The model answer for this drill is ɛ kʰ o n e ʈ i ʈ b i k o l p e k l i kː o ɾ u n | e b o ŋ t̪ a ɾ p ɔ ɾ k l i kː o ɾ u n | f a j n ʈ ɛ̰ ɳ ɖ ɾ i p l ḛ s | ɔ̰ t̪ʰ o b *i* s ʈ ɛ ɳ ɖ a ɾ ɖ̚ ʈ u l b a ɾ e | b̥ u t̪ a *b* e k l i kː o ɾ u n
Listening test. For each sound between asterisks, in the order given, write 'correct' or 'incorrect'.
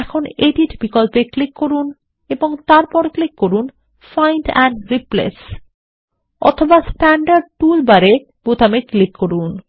incorrect, incorrect

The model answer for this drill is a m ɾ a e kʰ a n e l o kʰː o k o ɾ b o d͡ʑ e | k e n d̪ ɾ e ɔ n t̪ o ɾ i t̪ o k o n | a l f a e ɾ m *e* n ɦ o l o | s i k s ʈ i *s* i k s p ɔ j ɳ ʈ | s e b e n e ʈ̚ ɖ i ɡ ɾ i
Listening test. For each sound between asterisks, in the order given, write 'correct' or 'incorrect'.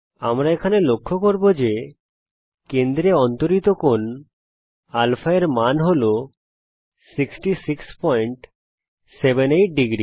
incorrect, correct

